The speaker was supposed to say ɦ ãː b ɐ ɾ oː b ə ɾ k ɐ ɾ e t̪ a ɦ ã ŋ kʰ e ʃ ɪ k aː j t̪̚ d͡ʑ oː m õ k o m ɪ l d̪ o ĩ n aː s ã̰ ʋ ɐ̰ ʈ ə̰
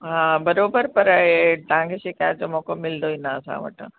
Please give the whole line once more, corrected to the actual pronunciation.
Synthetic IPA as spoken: ɦ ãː b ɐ ɾ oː b ə ɾ p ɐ ɾ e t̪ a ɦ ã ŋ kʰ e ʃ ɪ k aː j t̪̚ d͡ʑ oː m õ k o m ɪ l d̪ o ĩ n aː s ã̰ ʋ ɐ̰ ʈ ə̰